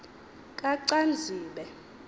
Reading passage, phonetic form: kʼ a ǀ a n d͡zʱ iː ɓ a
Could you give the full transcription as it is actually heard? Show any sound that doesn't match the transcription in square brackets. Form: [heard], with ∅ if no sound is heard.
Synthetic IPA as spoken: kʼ a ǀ a n d͡zʱ iː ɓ [ɛ]